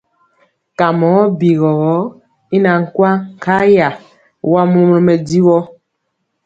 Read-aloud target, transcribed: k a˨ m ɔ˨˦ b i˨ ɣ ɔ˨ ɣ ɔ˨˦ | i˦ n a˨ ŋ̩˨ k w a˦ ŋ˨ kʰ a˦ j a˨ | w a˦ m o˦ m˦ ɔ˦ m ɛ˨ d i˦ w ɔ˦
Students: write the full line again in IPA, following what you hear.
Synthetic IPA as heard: k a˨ m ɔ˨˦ b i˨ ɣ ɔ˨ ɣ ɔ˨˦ | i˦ n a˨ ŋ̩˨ k w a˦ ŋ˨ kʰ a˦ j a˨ | w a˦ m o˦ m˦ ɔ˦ m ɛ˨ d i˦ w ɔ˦

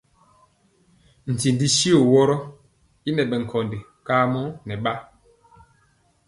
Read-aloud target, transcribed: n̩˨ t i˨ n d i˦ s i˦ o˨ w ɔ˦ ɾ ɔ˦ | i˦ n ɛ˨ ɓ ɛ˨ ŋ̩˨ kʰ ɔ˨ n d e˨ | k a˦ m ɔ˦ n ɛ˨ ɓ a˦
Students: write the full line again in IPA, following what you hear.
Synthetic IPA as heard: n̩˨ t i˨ n d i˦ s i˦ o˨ w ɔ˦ ɾ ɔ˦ | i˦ n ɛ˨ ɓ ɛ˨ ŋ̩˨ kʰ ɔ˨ n d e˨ | k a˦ m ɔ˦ n ɛ˨ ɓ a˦

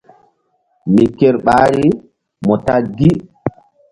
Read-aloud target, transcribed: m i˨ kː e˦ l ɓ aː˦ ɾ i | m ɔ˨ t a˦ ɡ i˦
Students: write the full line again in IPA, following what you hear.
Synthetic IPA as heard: m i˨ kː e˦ ɾ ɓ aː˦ ɾ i | m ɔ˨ t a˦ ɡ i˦

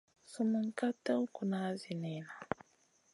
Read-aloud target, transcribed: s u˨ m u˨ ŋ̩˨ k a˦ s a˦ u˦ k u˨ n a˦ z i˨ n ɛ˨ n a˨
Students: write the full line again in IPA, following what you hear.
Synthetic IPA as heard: s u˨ m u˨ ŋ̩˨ k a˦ t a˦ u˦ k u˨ n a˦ z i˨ n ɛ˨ n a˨

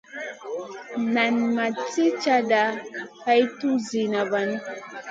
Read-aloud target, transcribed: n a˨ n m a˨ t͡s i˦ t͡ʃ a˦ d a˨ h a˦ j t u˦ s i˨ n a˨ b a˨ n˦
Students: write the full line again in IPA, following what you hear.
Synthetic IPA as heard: n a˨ n m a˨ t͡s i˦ t͡ʃ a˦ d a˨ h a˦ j t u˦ z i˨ n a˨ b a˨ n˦

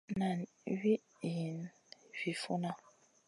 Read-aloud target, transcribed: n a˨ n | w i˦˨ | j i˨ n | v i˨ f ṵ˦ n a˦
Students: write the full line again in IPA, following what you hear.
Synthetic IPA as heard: n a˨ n | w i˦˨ | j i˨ n | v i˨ f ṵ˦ n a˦

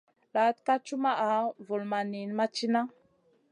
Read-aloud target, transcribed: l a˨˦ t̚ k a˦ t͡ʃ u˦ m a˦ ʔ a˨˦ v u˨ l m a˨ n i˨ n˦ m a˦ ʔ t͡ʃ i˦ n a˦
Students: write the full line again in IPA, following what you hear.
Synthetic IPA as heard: l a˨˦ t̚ k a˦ t͡ʃ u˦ m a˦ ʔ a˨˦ v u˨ l m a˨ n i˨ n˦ m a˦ t͡ʃ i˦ n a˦

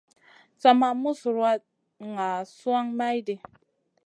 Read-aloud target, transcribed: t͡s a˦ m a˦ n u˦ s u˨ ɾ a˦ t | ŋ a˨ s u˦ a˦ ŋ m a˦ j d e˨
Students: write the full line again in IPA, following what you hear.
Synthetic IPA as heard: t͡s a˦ m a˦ m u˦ s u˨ ɾ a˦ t | ŋ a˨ s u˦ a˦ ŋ m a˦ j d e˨

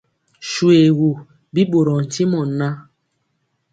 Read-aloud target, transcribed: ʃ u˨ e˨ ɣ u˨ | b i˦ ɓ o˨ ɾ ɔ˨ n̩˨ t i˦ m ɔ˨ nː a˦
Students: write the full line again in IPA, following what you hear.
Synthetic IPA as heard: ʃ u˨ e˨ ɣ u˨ | b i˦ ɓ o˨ ɾ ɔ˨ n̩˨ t i˦ m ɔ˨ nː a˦

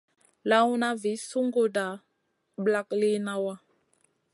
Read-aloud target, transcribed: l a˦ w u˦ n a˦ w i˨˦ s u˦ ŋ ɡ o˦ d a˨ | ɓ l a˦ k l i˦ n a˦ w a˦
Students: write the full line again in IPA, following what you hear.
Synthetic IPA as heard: l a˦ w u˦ n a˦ v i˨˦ s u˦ ŋ ɡ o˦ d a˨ | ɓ l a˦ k l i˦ n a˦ w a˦

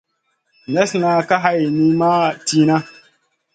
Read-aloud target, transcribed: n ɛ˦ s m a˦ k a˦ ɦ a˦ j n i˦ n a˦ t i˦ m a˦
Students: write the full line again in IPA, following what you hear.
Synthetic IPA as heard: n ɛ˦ s n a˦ k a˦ ɦ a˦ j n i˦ m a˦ t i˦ n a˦

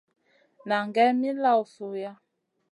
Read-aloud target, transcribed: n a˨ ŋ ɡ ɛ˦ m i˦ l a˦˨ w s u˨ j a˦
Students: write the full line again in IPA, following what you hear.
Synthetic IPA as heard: n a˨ ŋ ɡ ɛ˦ m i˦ l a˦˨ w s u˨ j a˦

